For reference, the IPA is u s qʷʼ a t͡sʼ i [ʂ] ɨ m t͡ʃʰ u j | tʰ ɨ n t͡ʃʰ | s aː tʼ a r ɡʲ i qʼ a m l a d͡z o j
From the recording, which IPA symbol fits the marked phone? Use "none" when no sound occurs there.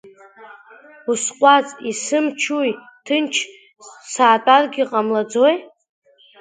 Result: s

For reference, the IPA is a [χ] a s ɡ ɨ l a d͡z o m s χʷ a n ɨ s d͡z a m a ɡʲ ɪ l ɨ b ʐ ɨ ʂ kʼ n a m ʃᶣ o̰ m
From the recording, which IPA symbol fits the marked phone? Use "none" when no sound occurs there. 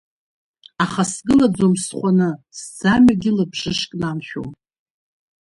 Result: χ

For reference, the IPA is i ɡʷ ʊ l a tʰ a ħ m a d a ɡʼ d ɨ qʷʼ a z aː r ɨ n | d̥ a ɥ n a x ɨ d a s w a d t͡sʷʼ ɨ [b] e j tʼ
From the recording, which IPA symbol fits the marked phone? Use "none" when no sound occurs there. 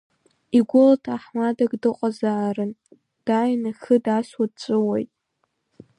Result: w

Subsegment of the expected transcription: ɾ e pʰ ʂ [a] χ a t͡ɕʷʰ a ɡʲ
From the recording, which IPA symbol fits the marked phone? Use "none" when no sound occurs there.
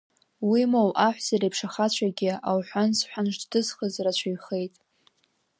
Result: a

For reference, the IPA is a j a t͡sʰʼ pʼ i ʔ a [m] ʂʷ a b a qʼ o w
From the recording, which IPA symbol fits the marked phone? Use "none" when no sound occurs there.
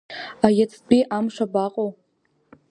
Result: m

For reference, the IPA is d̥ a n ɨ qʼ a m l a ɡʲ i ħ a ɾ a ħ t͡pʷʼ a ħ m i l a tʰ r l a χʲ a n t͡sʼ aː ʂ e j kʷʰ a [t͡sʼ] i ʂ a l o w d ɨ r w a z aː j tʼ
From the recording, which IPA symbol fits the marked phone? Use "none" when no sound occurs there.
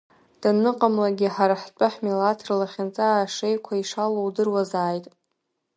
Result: none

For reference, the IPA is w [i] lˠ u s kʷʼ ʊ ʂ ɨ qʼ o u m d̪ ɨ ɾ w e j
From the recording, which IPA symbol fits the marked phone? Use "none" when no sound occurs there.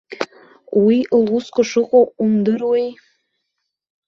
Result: i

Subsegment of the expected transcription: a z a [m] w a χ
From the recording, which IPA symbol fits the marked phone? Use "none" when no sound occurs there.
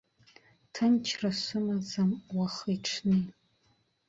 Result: m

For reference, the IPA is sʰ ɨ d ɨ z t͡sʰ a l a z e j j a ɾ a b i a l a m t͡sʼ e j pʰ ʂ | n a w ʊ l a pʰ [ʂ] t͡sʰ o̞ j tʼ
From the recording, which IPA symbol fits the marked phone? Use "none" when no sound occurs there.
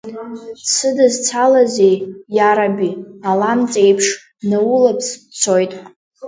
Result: s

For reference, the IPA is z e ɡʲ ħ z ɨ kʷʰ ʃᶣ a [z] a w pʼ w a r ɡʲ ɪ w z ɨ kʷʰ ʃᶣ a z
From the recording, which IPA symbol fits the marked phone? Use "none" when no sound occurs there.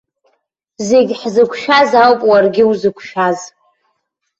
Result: z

